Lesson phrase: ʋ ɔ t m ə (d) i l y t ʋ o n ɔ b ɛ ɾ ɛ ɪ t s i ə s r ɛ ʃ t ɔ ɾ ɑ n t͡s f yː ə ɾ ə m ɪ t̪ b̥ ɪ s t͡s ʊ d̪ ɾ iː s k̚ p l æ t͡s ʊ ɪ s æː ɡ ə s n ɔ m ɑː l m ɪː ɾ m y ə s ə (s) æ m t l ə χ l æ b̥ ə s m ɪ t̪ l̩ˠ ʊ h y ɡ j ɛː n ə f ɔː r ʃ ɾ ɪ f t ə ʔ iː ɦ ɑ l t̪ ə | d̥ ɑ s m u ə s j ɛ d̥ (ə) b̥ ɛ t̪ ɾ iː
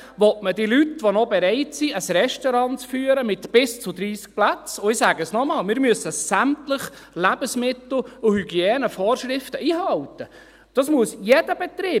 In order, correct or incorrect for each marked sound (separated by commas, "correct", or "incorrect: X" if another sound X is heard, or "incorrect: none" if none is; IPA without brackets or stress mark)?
correct, correct, correct